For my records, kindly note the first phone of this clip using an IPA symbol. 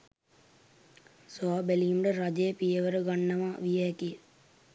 s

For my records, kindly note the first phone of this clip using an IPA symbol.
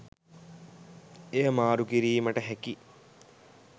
e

